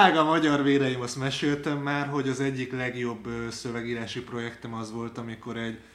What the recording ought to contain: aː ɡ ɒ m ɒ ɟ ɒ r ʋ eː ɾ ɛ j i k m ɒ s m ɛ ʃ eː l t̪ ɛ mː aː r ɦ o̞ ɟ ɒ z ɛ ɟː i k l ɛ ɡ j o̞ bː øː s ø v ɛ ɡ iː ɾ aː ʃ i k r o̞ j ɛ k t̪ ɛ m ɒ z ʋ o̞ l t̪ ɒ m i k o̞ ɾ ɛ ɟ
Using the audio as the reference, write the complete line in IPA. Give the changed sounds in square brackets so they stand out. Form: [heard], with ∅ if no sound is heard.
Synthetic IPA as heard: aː ɡ ɒ m ɒ ɟ ɒ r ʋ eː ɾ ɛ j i [∅] m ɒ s m ɛ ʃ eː l t̪ ɛ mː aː r ɦ o̞ ɟ ɒ z ɛ ɟː i k l ɛ ɡ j o̞ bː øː s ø v ɛ ɡ iː ɾ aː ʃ i [p] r o̞ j ɛ k t̪ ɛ m ɒ z ʋ o̞ l t̪ ɒ m i k o̞ ɾ ɛ ɟ